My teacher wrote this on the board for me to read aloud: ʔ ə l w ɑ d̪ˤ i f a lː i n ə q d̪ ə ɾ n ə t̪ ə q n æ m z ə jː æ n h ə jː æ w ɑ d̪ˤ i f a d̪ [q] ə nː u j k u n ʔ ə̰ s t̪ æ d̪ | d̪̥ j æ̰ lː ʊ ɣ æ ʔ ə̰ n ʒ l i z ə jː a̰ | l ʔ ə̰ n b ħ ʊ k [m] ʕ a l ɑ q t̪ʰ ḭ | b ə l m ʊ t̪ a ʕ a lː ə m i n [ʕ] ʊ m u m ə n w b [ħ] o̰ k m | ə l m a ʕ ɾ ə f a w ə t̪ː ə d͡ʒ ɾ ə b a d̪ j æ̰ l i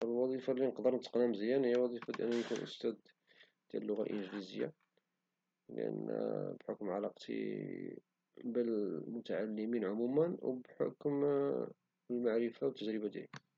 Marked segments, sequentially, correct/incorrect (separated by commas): incorrect, correct, correct, correct